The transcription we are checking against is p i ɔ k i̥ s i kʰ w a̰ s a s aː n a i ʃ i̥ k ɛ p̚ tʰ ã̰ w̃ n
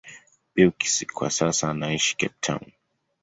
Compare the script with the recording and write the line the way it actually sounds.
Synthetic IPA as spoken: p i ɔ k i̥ s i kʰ w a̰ s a s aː n a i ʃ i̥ k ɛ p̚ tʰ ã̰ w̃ n